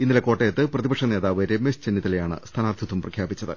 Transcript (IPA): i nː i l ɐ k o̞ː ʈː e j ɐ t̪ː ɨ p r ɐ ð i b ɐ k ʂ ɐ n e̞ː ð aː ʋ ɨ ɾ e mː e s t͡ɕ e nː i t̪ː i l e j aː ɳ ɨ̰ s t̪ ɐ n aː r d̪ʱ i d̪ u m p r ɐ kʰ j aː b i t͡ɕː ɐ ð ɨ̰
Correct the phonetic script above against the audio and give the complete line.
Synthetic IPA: i nː i l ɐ k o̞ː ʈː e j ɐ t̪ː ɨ p r ɐ ð i b ɐ k ʂ ɐ n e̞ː ð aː ʋ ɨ ɾ e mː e s t͡ɕ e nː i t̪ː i l e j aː ɳ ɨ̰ s t̪ʰ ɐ n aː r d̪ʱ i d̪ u m p r ɐ kʰ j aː b i t͡ɕː ɐ ð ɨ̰